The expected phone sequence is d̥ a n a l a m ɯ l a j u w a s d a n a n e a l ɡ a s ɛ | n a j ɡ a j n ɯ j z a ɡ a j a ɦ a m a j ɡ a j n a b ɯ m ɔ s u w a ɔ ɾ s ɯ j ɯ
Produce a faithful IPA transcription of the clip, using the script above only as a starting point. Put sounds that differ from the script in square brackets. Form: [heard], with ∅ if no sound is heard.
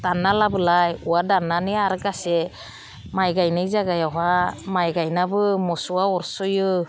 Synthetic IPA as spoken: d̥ a n a l a [b] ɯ l a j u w a [∅] d a n a n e a [ɾ] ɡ a s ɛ | [m] a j ɡ a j n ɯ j z a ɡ a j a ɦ a m a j ɡ a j n a b ɯ m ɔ s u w a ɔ ɾ s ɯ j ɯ

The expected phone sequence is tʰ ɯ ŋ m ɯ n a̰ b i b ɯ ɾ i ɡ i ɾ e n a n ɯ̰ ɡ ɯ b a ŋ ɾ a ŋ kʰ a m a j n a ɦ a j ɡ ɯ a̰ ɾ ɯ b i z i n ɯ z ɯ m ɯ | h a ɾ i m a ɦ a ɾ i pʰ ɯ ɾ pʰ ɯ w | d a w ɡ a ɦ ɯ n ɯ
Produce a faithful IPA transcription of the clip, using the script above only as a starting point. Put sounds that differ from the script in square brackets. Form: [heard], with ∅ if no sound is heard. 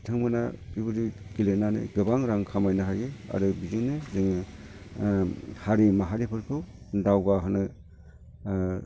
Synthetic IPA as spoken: tʰ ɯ ŋ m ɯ n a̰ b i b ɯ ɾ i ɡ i [l] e n a n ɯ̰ ɡ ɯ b a ŋ ɾ a ŋ kʰ a m a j n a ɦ a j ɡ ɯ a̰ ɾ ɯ b i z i n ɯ z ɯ [ŋ] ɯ | h a ɾ i m a ɦ a ɾ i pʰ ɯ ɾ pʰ ɯ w | d a w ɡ a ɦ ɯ n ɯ

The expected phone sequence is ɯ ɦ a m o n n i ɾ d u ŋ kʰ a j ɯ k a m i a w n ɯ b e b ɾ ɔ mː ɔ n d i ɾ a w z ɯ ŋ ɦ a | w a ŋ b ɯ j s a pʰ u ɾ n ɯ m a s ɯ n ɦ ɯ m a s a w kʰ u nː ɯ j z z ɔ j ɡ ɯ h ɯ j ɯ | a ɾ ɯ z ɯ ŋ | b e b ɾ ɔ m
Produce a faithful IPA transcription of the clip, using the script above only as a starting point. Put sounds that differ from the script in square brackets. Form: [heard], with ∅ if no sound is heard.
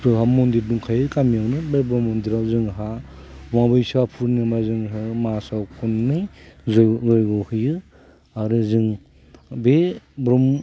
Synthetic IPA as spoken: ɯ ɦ a m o n [d] i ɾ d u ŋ kʰ a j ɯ k a m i a w n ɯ b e b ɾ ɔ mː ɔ n d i ɾ a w z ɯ ŋ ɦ a | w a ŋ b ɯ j s a pʰ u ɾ n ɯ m a [z] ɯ [ŋ] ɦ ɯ m a s a w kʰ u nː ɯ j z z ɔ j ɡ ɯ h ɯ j ɯ | a ɾ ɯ z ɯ ŋ | b e b ɾ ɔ m

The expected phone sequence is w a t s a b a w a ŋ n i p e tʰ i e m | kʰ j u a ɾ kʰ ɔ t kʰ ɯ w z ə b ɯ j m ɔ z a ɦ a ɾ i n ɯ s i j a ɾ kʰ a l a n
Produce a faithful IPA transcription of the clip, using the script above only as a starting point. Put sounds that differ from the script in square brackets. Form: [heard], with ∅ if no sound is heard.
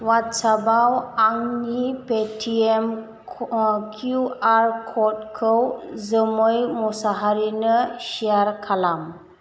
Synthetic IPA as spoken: w a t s a b a w a ŋ n i p e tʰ i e m | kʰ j u a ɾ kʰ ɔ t kʰ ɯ w z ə [m] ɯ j m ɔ [s] a ɦ a ɾ i n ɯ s i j a ɾ kʰ a l a [m]

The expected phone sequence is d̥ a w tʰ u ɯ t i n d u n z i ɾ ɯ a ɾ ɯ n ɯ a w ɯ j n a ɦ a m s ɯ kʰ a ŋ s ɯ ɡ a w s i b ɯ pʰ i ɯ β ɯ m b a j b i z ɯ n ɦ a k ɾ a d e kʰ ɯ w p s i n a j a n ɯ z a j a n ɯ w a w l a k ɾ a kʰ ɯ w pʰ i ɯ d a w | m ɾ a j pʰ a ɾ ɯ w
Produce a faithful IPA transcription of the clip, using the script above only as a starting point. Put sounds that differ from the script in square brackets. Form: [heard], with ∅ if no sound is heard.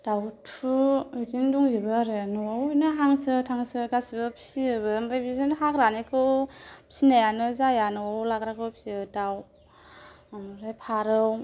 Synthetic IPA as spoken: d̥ a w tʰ u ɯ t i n d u [ŋ] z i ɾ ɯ a ɾ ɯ n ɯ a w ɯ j n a ɦ a [ŋ] s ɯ [tʰ] a ŋ s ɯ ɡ a [∅] s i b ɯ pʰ i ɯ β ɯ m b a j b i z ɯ n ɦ a k ɾ a [n] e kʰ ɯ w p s i n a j a n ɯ z a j a n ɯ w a w l a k ɾ a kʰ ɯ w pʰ i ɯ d a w | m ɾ a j pʰ a ɾ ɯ w

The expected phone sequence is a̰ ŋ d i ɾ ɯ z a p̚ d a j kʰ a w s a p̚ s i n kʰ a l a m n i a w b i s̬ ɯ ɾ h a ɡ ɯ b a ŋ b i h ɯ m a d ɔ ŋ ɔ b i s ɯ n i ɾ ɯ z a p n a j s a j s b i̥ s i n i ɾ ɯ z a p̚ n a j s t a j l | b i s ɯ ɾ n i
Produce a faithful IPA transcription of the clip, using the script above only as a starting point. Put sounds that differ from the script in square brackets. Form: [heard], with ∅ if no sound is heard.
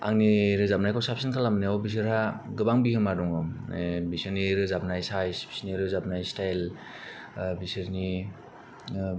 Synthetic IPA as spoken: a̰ ŋ [n] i ɾ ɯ z a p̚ [n] a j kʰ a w s a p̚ s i n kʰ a l a m n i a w b i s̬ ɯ ɾ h a ɡ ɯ b a ŋ b i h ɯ m a d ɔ ŋ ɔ b i s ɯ n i ɾ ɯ z a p n a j s a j s b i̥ s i n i ɾ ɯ z a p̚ n a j s t a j l | b i s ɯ ɾ n i

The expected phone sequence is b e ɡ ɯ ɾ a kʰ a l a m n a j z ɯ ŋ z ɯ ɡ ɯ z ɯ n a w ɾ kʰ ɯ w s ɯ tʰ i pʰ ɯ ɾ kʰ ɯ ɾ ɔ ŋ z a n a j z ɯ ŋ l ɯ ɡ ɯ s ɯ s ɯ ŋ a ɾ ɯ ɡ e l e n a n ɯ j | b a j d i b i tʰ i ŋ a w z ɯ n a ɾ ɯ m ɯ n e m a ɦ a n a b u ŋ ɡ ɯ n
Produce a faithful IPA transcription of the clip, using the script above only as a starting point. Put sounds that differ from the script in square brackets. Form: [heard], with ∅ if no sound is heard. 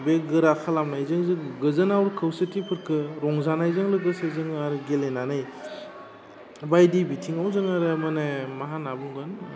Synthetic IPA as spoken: b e ɡ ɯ ɾ a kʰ a l a m n a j z ɯ ŋ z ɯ ɡ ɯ z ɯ n a w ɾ kʰ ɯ w s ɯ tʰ i pʰ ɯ ɾ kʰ ɯ ɾ ɔ ŋ z a n a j z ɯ ŋ l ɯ ɡ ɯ s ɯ [z] ɯ ŋ a ɾ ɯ ɡ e l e n a n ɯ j | b a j d i b i tʰ i ŋ a w z ɯ [ŋ] a ɾ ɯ m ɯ n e m a ɦ a n a b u ŋ ɡ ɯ n

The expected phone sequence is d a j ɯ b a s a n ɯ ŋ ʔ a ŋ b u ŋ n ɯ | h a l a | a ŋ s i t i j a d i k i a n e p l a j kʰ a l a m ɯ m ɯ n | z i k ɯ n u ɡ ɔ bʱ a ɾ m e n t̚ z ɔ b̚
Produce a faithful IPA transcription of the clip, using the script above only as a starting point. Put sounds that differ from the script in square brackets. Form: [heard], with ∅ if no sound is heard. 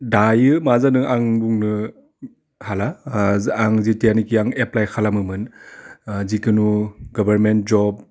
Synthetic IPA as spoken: d a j ɯ [m] a [z] a n ɯ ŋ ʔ a ŋ b u ŋ n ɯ | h a l a | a ŋ [z] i t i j a [n] i k i a [ŋ] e p l a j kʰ a l a m ɯ m ɯ n | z i k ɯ n u ɡ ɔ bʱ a ɾ m e n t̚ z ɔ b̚

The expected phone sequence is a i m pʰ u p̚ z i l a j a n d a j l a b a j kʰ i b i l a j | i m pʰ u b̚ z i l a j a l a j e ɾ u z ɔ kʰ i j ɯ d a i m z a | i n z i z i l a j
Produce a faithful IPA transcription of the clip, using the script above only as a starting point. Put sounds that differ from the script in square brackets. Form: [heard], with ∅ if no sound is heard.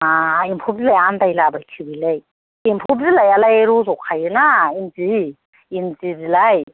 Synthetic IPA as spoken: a i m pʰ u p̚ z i l a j a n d a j l a b a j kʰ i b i l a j | i m pʰ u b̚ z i l a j a l a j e ɾ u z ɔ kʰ [a] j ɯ [n] a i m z [i] | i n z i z i l a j

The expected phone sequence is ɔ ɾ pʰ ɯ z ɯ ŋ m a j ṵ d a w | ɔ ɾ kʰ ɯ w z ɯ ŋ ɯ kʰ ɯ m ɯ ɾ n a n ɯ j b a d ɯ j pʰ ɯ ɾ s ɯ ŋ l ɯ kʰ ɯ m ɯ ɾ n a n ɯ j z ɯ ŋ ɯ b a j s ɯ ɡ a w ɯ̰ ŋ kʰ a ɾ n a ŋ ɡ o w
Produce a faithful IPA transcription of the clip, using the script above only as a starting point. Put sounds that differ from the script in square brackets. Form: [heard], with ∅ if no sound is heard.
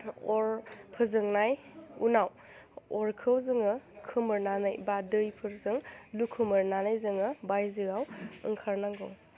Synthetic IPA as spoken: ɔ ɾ pʰ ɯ z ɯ ŋ [n] a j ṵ [n] a w | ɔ ɾ kʰ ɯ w z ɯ ŋ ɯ kʰ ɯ m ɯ ɾ n a n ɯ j b a d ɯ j pʰ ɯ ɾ [z] ɯ ŋ l [u] kʰ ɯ m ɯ ɾ n a n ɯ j z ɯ ŋ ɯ b a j [z] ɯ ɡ a w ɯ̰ ŋ kʰ a ɾ n a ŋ ɡ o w

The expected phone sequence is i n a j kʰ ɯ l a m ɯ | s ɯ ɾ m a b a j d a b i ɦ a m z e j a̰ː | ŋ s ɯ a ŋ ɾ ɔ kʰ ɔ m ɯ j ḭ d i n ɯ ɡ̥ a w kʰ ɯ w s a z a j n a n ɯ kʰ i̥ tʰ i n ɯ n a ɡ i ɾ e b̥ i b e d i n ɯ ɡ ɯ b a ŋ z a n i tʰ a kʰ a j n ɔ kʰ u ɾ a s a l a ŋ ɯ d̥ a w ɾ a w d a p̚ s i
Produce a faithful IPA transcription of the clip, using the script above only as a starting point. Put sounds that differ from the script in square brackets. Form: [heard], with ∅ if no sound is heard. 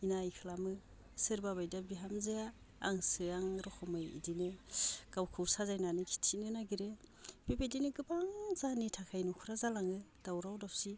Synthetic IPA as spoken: i n a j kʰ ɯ l a m ɯ | s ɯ ɾ [b] a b a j d a b i ɦ a m z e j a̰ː | ŋ s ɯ a ŋ ɾ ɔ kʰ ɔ m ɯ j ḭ d i n ɯ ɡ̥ a w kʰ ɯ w s a z a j n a n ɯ kʰ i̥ tʰ i n ɯ n a ɡ i ɾ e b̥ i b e d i n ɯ ɡ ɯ b a ŋ z a n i tʰ a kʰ a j n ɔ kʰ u ɾ a [z] a l a ŋ ɯ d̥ a w ɾ a w d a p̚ s i

